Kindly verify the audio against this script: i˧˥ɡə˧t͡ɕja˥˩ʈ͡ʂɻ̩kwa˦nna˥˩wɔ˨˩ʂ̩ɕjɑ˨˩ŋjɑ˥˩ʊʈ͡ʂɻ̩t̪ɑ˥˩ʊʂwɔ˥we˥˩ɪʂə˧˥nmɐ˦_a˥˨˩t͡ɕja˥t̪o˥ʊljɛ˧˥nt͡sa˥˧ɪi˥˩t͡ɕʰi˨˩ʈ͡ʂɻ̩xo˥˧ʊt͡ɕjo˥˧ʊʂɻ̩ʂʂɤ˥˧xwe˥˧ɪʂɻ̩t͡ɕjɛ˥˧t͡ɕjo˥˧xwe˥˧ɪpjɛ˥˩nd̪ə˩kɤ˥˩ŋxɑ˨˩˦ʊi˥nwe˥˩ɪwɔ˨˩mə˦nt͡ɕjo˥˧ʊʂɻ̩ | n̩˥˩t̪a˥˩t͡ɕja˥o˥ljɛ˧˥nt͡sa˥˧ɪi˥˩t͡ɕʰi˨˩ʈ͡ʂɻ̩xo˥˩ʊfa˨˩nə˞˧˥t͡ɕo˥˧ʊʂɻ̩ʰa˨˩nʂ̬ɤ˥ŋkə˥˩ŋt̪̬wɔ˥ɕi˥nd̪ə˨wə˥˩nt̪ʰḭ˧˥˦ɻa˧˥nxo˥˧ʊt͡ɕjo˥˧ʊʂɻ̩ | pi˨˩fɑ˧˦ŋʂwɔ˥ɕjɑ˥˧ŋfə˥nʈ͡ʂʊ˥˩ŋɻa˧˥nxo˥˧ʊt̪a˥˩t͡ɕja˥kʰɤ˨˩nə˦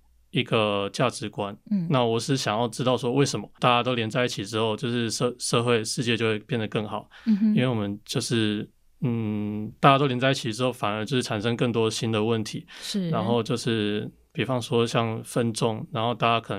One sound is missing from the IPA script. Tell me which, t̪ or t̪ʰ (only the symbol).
t̪